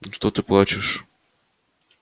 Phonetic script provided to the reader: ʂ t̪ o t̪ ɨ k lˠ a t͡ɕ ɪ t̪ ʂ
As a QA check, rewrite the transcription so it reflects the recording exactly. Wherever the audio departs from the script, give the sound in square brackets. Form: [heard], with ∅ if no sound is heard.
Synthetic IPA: ʂ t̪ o t̪ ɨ [p] lˠ a t͡ɕ ɪ [∅] ʂ